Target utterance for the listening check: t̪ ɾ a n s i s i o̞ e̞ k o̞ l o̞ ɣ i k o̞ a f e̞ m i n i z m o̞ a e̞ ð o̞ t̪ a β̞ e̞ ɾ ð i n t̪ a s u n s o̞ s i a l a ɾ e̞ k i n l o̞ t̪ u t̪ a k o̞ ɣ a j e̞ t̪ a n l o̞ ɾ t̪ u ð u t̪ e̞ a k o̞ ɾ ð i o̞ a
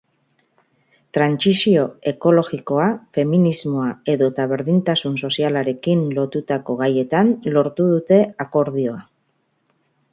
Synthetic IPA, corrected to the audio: t̪ ɾ a n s i s i o̞ e̞ k o̞ l o̞ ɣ i k o̞ a f e̞ m i n i z m o̞ a e̞ ð o̞ t̪ a β̞ e̞ ɾ ð i n t̪ a s u n s o̞ s i a l a ɾ e̞ k i n l o̞ t̪ u t̪ a k o̞ ɣ a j e̞ t̪ a n l o̞ ɾ t̪ u ð u t̪ e̞ a k o̞ ɾ ð i o̞ a